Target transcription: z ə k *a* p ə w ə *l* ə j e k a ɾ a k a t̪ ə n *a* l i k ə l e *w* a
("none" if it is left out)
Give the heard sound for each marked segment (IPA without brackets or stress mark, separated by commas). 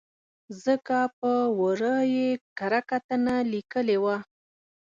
a, ɾ, a, w